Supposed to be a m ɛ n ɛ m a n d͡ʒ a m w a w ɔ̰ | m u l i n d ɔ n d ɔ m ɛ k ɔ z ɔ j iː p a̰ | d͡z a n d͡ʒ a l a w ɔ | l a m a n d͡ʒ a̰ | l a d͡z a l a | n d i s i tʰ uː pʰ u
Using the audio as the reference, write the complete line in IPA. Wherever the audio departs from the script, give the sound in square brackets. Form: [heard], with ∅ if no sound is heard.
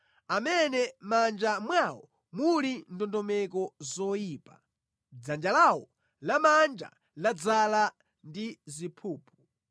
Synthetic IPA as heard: a m ɛ n ɛ m a n d͡ʒ a m w a w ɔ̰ | m u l i n d ɔ n d ɔ m ɛ k ɔ z ɔ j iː p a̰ | d͡z a n d͡ʒ a l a w ɔ | l a m a n d͡ʒ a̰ | l a d͡z a l a | n d i [z] i [pʰ] uː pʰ u